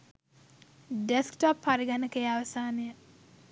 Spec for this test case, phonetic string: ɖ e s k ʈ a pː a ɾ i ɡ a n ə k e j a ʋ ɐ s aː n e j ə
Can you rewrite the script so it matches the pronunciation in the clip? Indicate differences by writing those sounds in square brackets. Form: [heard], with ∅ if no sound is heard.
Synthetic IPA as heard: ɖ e s k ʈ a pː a ɾ i ɡ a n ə k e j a ʋ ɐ s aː n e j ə